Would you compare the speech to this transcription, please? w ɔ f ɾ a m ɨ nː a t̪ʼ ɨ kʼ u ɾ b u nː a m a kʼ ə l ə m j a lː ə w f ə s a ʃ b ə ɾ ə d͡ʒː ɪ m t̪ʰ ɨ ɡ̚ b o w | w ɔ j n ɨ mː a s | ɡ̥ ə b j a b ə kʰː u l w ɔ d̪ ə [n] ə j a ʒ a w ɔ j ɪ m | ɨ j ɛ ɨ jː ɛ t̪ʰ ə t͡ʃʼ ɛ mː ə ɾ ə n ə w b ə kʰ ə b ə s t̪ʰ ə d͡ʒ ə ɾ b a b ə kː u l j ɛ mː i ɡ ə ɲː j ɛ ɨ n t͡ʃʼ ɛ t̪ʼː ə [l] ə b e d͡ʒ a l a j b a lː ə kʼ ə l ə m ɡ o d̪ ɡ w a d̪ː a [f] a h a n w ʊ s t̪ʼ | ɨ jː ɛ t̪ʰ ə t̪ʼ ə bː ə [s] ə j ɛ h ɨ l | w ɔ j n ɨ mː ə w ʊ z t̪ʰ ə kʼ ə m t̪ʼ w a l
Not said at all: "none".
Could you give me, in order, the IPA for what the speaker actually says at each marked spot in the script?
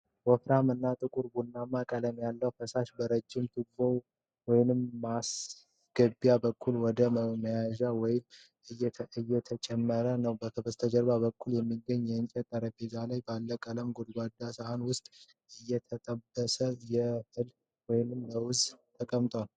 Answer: m, ɾ, s, s

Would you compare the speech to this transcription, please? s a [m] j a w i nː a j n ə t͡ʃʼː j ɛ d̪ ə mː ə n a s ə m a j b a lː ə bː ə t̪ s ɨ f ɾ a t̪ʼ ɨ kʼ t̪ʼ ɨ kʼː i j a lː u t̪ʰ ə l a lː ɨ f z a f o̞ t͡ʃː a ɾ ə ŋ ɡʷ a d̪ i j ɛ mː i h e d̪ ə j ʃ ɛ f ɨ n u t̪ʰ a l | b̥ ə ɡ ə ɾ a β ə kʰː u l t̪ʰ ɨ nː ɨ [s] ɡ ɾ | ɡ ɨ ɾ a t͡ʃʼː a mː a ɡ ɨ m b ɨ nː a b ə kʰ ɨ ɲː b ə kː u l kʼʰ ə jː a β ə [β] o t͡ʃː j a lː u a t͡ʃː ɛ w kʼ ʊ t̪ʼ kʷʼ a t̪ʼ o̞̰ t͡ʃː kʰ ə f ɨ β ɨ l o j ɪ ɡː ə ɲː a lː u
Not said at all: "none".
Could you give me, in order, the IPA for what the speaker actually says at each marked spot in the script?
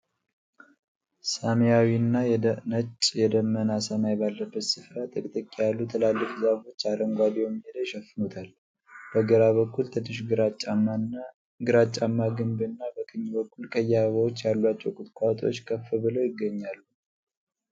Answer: m, ʃ, w

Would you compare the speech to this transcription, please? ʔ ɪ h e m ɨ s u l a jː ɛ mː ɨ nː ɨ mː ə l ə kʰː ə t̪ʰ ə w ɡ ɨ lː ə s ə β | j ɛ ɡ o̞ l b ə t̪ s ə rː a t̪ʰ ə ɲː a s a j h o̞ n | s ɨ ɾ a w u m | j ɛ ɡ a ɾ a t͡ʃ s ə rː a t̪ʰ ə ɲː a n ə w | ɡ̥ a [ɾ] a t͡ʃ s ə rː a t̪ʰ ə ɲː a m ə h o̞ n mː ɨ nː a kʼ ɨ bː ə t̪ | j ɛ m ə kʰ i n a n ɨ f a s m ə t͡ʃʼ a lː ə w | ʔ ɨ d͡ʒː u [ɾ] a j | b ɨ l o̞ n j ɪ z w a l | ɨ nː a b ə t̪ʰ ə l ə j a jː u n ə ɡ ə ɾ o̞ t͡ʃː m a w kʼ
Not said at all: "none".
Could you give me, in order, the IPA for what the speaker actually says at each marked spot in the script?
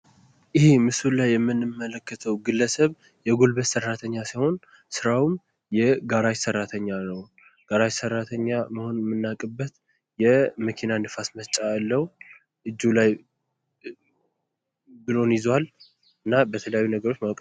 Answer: ɾ, l

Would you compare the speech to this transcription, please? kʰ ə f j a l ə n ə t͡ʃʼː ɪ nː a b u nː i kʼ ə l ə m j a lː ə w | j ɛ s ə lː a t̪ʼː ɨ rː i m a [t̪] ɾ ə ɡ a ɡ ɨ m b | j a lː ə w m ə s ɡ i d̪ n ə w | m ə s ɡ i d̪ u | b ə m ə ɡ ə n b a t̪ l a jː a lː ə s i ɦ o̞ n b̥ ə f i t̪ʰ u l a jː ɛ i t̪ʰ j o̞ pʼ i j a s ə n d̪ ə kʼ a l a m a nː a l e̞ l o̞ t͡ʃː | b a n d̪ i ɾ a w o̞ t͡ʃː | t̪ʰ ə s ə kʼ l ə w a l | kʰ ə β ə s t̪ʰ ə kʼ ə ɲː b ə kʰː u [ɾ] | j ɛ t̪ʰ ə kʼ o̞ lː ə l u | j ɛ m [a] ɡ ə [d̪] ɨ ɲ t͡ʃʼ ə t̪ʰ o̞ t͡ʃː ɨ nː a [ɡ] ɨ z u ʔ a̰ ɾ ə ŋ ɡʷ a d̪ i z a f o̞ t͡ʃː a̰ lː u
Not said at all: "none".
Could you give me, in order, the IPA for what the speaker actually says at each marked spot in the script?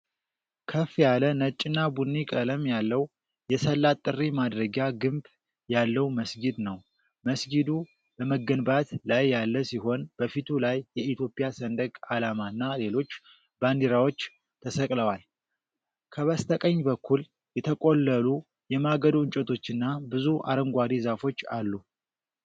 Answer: d̪, l, a, d̪, b

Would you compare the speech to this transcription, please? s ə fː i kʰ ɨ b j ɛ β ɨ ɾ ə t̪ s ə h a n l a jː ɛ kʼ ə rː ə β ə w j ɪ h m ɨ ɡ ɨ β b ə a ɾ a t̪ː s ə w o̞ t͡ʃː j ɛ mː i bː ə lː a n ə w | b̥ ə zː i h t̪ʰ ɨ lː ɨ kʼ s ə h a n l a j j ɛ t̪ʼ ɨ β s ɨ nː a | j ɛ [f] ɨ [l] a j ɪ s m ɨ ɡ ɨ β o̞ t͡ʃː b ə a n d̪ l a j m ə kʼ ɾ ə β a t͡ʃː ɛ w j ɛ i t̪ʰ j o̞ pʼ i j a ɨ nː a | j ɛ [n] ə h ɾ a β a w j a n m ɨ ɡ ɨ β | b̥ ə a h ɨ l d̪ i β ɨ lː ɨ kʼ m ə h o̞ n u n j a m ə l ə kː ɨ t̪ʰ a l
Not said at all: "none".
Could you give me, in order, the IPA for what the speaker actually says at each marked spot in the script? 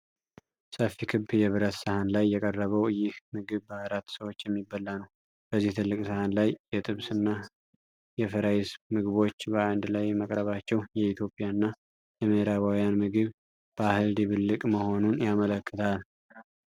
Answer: f, ɾ, m

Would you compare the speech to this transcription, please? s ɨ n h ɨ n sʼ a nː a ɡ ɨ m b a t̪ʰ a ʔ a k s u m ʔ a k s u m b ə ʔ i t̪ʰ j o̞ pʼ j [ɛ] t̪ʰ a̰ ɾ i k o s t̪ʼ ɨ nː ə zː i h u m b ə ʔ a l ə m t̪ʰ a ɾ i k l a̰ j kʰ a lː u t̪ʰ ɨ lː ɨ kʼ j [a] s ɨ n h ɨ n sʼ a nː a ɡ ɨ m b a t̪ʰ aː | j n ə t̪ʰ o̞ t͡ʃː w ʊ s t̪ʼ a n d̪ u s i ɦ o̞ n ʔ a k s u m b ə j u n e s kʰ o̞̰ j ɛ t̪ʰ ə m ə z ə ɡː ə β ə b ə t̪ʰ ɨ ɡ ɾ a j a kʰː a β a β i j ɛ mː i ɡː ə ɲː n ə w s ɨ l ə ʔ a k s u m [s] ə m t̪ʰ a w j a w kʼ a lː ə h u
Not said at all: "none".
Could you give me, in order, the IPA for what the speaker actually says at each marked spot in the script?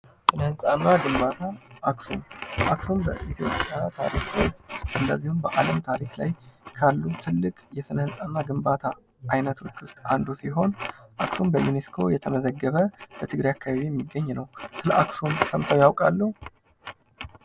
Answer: a, ɛ, s

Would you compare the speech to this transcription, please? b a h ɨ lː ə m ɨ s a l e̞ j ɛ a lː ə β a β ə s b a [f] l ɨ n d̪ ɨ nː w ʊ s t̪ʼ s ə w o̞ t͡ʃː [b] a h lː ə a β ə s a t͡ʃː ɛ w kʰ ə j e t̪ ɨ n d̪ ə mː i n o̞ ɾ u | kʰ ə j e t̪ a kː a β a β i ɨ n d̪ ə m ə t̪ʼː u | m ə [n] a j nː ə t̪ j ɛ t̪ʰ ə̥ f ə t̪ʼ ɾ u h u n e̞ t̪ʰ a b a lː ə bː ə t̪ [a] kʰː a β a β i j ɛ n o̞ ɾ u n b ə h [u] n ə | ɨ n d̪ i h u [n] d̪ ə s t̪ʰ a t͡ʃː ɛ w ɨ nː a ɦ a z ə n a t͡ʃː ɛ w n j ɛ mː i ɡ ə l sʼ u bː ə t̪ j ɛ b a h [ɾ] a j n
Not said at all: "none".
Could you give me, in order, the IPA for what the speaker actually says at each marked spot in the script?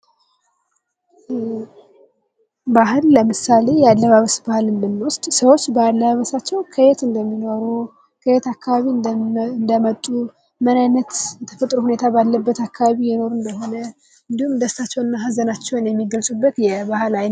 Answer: h, b, n, a, o, m, l

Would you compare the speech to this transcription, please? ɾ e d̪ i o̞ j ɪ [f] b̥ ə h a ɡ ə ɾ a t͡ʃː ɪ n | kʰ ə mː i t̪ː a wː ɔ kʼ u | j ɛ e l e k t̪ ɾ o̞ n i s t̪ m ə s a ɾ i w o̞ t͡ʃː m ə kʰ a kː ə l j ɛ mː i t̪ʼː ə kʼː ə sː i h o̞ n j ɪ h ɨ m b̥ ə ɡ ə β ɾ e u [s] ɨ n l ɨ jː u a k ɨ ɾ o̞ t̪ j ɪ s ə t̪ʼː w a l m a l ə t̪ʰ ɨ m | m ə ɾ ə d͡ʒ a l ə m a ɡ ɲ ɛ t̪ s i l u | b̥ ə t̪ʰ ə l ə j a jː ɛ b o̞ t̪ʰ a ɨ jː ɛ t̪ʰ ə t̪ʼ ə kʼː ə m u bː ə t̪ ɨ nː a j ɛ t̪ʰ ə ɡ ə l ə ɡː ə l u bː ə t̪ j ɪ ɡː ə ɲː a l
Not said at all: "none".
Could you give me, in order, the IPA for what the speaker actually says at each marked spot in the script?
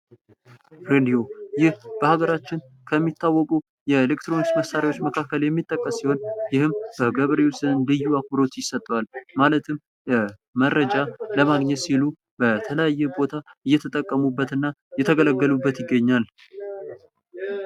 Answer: h, s

